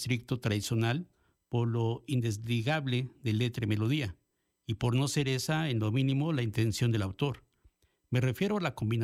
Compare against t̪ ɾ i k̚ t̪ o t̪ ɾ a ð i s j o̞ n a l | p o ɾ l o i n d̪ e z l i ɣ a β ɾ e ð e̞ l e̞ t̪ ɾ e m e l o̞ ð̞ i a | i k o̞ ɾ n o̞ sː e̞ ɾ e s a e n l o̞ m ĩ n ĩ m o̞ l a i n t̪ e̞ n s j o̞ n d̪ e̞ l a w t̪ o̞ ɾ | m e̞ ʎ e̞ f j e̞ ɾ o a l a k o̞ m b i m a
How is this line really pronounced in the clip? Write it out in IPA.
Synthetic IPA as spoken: t̪ ɾ i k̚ t̪ o t̪ ɾ a ð i s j o̞ n a l | p o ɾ l o i n d̪ e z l i ɣ a β l e ð e̞ l e̞ t̪ ɾ e m e l o̞ ð̞ i a | i p o̞ ɾ n o̞ s e̞ ɾ e s a e n l o̞ m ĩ n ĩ m o̞ l a i n t̪ e̞ n s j o̞ n d̪ e̞ l a w t̪ o̞ ɾ | m e̞ r e̞ f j e̞ ɾ o a l a k o̞ m b i n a